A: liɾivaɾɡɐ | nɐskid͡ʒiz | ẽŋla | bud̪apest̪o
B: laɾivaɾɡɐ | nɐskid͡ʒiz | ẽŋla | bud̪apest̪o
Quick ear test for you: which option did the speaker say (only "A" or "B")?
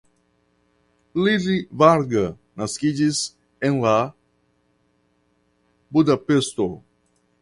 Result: A